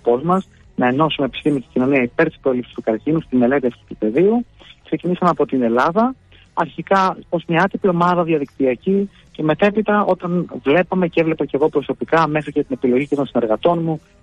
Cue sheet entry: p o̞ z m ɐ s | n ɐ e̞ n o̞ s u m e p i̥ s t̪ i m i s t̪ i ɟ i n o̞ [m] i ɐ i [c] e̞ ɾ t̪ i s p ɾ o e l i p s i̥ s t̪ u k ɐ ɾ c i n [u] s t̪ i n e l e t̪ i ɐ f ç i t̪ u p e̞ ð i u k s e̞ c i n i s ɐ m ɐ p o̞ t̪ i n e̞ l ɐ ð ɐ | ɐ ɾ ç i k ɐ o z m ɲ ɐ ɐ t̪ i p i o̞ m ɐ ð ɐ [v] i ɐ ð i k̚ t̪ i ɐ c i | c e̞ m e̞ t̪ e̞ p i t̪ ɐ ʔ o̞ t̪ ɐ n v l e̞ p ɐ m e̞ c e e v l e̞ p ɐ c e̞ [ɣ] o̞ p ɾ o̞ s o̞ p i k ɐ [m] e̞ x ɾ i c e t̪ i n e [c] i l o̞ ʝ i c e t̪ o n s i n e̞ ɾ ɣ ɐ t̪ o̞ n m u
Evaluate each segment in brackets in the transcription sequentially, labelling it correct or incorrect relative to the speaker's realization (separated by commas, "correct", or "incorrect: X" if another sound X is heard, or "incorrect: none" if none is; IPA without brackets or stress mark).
incorrect: n, incorrect: p, correct, incorrect: ð, correct, correct, incorrect: p